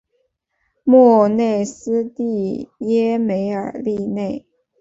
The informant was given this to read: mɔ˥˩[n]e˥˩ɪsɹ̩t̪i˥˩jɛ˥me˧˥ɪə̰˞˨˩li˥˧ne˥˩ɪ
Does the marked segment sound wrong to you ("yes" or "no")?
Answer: no